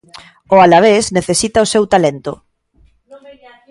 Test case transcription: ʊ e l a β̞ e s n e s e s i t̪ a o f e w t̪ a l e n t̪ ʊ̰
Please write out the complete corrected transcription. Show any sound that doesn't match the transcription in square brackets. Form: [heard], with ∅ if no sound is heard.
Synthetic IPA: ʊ [a] l a β̞ e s n e [θ] e s i t̪ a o [s] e w t̪ a l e n t̪ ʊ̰